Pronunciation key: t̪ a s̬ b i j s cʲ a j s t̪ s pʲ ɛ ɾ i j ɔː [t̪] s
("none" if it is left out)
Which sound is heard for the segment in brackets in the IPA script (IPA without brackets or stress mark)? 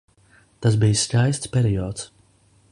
t̪